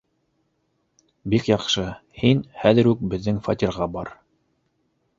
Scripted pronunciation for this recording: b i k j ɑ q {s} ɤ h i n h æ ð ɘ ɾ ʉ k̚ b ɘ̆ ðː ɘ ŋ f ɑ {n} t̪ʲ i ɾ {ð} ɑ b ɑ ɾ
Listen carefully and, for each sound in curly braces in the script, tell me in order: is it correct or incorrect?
incorrect: ʃ, incorrect: none, incorrect: ʁ

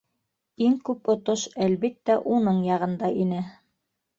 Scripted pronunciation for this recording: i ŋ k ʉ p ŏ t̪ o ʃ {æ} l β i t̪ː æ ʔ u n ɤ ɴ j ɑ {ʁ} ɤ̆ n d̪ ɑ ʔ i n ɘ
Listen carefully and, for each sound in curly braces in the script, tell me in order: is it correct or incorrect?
correct, correct

